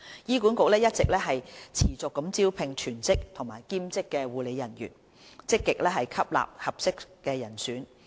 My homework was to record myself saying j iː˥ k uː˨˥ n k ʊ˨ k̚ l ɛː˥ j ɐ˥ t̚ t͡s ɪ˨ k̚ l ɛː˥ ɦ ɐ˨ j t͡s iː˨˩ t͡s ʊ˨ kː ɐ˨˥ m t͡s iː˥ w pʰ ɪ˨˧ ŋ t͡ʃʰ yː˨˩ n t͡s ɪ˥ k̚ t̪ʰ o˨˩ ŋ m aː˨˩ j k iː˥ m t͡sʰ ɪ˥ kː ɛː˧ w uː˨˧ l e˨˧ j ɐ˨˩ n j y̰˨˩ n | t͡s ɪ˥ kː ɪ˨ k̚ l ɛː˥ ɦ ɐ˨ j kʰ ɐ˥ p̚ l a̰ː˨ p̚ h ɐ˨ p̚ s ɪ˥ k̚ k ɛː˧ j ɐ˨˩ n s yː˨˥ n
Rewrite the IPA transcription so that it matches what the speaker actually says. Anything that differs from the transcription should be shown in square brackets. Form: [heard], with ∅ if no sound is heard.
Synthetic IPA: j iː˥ k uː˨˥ n k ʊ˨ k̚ l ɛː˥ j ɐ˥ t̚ t͡s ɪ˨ k̚ l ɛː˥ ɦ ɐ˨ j [t͡sʰ] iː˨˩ t͡s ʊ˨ kː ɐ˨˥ m t͡s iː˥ w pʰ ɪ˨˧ ŋ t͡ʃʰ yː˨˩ n t͡s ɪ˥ k̚ t̪ʰ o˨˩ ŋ m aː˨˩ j k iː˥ m [t͡s] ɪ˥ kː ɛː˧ w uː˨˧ l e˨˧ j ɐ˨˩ n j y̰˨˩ n | t͡s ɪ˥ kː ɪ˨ k̚ l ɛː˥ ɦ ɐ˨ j kʰ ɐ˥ p̚ l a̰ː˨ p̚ h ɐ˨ p̚ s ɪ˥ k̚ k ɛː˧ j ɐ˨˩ n s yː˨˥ n